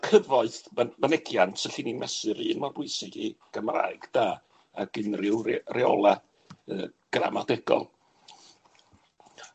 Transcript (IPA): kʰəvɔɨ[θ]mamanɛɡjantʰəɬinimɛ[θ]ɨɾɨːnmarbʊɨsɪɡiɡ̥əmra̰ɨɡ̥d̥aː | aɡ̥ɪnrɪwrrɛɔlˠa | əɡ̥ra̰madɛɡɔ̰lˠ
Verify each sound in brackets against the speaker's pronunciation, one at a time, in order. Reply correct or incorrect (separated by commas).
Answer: correct, incorrect